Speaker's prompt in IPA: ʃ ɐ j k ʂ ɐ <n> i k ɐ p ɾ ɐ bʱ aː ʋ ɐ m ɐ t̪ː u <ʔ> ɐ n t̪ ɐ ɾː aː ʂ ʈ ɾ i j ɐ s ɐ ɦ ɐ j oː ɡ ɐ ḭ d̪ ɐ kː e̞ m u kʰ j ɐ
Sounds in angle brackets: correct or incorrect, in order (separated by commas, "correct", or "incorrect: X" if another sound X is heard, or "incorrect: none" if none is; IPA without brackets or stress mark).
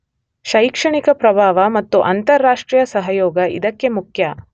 incorrect: ɳ, correct